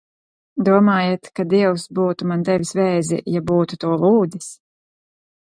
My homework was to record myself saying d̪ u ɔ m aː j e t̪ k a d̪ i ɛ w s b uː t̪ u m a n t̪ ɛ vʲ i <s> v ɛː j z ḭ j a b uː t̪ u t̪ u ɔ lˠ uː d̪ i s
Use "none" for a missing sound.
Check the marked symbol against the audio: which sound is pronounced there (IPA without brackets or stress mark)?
s